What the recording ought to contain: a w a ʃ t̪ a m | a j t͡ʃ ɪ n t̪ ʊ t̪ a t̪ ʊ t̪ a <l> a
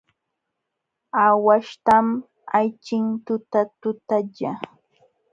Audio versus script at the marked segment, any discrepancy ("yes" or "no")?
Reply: yes